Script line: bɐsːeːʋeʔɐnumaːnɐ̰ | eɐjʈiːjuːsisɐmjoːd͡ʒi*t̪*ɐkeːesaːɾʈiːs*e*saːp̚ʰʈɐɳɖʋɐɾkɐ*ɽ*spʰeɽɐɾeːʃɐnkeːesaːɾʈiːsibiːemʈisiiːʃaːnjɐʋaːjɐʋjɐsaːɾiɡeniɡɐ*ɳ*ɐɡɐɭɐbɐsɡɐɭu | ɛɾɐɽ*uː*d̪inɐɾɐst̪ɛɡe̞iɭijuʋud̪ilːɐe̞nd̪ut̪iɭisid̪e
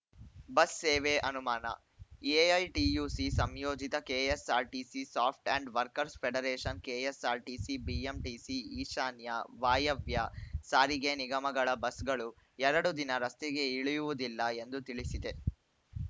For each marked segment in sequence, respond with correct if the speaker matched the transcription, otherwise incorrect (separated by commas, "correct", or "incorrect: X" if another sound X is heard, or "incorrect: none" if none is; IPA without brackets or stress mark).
correct, incorrect: i, incorrect: ɾ, incorrect: m, incorrect: u